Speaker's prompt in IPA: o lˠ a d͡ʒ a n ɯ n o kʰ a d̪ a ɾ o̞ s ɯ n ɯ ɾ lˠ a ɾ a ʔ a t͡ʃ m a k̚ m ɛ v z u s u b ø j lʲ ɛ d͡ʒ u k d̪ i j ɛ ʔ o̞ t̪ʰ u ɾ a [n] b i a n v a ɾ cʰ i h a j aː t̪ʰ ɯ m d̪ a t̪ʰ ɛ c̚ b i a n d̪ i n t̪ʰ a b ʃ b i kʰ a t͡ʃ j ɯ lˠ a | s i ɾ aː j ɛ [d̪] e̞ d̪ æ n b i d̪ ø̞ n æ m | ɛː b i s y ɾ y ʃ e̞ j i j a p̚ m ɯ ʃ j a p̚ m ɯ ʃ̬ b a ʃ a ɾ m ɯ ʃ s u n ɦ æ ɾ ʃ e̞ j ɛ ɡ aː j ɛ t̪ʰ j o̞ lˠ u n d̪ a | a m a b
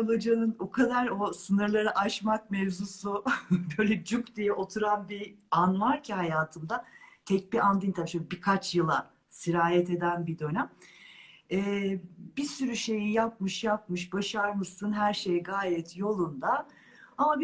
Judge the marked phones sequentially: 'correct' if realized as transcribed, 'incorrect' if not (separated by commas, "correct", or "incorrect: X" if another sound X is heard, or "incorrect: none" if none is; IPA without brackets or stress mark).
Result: correct, incorrect: t̪